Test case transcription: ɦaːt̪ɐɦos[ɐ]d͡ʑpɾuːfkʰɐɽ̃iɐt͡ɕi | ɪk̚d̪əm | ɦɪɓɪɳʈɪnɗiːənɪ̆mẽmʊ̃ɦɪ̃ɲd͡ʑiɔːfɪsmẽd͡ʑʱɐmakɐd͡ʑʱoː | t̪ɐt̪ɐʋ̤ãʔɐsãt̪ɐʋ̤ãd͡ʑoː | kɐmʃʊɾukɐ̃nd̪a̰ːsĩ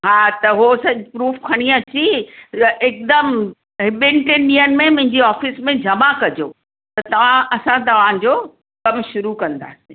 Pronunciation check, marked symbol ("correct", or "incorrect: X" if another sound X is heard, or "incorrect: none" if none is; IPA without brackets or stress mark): correct